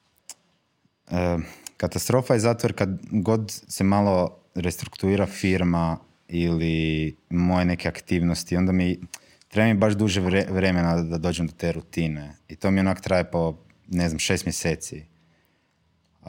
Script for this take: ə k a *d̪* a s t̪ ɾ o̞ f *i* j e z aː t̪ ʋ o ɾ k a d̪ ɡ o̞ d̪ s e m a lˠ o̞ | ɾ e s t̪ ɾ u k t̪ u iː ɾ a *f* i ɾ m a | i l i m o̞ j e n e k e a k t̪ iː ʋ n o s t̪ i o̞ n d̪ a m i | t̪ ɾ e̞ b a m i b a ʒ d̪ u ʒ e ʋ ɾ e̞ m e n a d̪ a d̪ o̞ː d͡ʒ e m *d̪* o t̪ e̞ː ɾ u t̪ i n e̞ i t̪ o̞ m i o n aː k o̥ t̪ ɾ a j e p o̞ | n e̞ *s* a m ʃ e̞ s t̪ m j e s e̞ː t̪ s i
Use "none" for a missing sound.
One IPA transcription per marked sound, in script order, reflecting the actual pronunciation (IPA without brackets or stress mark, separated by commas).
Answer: t̪, a, f, d̪, z